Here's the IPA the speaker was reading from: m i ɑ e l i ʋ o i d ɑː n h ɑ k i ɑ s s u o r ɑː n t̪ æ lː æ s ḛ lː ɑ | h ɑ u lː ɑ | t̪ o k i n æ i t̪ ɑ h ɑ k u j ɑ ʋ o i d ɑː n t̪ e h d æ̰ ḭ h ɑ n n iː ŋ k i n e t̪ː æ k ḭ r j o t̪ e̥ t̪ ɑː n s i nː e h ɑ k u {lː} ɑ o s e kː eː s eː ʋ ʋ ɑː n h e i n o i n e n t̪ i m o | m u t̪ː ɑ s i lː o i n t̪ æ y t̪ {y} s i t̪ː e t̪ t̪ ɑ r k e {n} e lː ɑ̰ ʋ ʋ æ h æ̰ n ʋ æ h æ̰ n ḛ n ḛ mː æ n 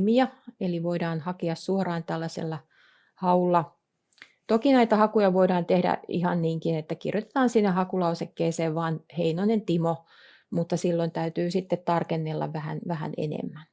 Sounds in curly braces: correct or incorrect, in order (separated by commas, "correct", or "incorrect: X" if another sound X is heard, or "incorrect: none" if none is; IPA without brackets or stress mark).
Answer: incorrect: l, incorrect: yː, incorrect: nː